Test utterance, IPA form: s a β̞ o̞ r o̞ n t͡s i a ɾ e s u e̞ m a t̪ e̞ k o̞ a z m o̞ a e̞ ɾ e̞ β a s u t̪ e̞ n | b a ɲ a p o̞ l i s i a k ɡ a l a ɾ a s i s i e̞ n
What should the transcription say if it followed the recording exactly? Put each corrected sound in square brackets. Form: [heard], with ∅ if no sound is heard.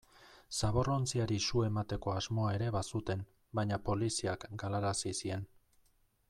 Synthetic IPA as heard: s a β̞ o̞ r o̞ n t͡s i a ɾ [i] s u e̞ m a t̪ e̞ k o̞ a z m o̞ a e̞ ɾ e̞ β a s u t̪ e̞ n | b a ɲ a p o̞ l i s i a k ɡ a l a ɾ a s i s i e̞ n